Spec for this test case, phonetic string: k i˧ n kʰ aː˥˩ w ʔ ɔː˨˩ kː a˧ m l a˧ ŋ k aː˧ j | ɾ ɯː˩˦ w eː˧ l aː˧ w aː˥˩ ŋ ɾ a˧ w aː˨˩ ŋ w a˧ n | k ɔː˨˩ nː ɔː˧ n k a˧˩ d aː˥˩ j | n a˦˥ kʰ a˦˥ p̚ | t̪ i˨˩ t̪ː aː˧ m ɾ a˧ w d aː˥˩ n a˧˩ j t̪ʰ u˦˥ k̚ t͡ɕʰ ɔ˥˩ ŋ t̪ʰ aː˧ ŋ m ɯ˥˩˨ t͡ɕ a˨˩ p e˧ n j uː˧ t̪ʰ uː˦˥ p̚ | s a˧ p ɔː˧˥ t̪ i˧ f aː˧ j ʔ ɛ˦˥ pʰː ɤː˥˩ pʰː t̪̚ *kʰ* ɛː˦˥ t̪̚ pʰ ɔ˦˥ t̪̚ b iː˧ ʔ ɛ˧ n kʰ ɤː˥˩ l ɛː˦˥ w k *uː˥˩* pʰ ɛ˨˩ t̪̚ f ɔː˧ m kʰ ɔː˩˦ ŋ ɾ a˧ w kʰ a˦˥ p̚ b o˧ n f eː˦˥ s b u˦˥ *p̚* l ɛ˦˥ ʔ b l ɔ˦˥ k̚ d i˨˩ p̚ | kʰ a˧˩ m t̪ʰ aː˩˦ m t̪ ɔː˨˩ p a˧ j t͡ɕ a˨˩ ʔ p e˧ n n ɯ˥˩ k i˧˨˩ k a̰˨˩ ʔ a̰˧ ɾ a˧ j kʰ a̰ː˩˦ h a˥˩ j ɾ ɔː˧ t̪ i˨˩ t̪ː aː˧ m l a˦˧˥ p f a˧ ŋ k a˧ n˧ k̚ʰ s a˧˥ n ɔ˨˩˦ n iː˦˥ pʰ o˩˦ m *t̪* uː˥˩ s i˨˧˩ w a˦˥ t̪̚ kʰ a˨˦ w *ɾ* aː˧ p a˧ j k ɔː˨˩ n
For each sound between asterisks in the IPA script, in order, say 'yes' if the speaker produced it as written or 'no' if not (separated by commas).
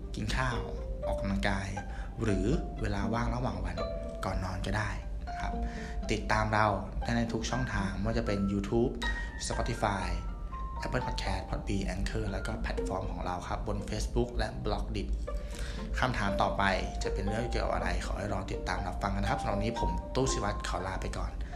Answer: yes, no, no, yes, no